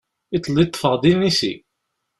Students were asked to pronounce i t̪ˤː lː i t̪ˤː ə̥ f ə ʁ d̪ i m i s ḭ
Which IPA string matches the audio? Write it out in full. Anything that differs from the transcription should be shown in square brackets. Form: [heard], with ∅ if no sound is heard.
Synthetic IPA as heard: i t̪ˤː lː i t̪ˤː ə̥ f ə ʁ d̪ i [n] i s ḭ